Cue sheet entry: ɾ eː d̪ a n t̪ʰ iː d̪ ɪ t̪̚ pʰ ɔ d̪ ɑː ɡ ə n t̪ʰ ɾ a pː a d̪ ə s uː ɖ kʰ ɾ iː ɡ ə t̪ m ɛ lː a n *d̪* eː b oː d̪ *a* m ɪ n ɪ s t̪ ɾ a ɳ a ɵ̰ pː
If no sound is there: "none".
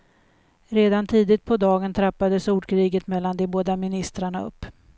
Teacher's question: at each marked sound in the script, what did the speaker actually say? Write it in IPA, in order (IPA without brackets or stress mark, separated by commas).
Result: d̪, a